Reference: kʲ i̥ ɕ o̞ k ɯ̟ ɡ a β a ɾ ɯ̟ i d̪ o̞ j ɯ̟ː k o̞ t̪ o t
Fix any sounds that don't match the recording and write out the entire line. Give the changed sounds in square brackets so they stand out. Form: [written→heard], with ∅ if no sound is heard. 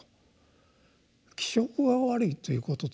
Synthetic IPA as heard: kʲ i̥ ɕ o̞ k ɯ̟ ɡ a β a ɾ ɯ̟ i [d̪→t̪] o̞ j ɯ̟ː k o̞ t̪ o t